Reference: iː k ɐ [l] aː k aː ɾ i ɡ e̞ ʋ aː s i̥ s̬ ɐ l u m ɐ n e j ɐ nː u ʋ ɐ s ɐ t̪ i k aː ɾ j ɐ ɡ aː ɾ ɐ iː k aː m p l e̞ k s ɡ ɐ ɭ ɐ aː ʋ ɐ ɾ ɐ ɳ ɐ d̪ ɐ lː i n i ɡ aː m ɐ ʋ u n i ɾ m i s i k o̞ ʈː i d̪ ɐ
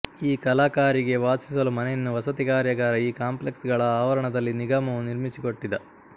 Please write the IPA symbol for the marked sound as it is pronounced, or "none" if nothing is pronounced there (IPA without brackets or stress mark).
l